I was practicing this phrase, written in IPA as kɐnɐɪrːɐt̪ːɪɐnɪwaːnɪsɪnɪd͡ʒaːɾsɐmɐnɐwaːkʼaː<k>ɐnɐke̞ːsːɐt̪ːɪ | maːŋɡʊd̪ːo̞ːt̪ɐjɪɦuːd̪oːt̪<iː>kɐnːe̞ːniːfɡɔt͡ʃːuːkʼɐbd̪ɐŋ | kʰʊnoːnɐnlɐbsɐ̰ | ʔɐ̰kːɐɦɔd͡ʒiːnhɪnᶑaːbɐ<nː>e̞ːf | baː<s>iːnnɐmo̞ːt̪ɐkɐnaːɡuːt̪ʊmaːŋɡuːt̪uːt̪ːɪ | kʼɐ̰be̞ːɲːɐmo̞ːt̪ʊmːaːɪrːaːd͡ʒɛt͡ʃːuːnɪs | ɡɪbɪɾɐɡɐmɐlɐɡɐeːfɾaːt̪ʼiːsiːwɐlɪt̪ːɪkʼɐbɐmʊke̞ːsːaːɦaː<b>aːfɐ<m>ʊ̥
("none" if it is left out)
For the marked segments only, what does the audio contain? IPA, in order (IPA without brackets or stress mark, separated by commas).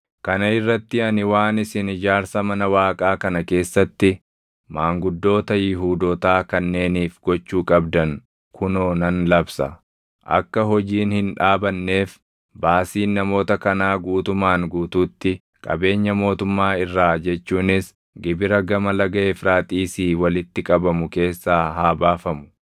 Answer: k, aː, nː, s, b, m